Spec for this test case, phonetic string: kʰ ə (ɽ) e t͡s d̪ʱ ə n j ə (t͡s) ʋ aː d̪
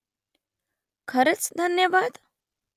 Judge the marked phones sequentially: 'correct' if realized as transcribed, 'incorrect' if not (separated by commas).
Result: incorrect, incorrect